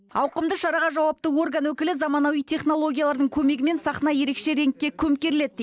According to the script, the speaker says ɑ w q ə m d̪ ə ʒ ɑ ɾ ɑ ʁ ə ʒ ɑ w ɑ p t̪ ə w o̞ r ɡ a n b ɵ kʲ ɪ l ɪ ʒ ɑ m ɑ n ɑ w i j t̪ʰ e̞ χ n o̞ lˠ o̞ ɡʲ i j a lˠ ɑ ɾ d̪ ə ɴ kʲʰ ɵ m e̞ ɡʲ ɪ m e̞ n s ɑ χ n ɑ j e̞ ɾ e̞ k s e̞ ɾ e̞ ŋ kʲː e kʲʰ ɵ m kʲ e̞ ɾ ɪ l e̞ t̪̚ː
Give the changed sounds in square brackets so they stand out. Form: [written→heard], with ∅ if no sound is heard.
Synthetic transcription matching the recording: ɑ w q ə m d̪ ə [ʒ→ʃ] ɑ ɾ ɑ ʁ [ə→ɑ] ʒ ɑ w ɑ p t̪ ə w o̞ r ɡ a n [b→w] ɵ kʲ ɪ l ɪ [ʒ→z] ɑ m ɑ n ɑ w i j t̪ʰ e̞ χ n o̞ lˠ o̞ ɡʲ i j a lˠ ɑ ɾ d̪ ə ɴ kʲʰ ɵ m e̞ ɡʲ ɪ m e̞ n s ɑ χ n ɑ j e̞ ɾ e̞ k [s→ʃ] e̞ ɾ e̞ ŋ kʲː e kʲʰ ɵ m kʲ e̞ ɾ ɪ l e̞ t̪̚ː